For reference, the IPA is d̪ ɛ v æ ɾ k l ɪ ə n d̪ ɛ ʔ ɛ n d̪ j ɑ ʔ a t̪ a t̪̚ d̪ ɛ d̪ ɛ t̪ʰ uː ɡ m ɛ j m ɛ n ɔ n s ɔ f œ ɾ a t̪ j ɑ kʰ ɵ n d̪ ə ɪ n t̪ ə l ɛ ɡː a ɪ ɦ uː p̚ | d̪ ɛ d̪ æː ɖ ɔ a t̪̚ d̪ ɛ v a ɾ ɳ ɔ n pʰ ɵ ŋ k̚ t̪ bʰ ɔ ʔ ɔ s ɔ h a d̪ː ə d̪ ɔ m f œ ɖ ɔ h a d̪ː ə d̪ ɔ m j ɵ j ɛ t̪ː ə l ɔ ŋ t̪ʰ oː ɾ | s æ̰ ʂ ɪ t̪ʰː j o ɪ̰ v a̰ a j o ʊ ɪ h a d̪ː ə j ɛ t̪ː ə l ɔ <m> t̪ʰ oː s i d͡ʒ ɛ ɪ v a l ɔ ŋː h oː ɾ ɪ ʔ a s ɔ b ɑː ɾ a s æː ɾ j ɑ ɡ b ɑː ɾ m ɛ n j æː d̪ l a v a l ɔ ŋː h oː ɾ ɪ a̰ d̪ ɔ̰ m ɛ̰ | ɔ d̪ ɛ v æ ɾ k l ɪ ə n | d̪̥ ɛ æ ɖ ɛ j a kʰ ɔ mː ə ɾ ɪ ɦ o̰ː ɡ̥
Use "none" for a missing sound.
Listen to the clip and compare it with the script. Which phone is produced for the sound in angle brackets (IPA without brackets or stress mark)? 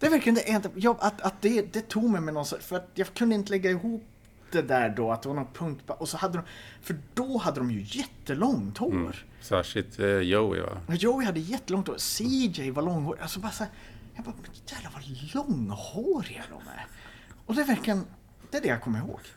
ŋ